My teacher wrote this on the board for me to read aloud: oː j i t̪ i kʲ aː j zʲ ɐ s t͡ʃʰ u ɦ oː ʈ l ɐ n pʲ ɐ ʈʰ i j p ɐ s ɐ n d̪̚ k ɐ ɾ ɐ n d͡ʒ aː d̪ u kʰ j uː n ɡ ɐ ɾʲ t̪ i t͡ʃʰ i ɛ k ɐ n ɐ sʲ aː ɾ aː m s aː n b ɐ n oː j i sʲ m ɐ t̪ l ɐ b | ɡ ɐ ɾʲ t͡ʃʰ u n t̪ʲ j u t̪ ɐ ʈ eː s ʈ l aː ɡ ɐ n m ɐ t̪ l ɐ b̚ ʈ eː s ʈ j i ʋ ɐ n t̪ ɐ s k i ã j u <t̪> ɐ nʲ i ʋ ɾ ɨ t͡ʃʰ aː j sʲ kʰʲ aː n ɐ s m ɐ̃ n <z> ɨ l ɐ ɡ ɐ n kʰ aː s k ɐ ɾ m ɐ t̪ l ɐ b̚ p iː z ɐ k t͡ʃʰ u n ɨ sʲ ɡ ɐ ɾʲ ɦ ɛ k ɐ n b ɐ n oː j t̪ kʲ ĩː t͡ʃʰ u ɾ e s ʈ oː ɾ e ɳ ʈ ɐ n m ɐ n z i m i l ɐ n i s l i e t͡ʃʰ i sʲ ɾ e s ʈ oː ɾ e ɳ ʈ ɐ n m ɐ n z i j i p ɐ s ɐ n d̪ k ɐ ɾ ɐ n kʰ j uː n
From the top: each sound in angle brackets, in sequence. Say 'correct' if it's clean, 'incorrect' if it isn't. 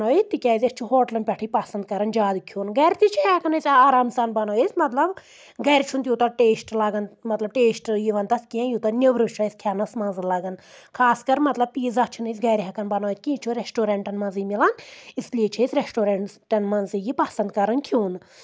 correct, correct

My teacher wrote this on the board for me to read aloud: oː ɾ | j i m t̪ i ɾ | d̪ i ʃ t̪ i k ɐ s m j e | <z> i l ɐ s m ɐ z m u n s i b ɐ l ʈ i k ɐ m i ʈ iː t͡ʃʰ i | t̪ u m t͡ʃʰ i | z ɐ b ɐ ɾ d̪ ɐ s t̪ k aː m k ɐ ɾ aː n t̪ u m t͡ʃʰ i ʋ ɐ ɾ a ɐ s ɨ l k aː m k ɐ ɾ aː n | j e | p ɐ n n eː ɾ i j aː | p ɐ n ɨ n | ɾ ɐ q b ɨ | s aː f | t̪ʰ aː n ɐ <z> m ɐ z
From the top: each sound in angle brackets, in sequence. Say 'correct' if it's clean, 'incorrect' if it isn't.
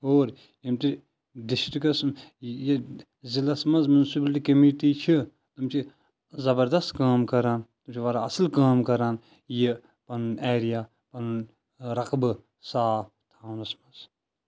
correct, incorrect: s

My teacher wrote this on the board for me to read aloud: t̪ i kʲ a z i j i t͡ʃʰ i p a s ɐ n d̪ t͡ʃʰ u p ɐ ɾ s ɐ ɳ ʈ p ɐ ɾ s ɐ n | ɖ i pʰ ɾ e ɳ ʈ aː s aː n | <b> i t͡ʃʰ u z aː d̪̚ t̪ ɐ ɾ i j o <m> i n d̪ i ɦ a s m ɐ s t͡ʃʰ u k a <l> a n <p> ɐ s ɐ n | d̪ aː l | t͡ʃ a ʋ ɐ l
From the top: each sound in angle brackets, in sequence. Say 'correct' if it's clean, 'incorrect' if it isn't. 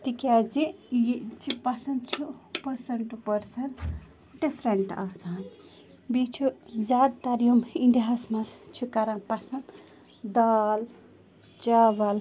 correct, correct, incorrect: ɾ, correct

